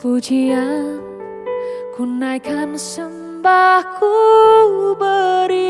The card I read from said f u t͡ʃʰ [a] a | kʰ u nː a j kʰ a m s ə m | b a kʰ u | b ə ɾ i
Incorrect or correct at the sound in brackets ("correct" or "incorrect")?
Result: incorrect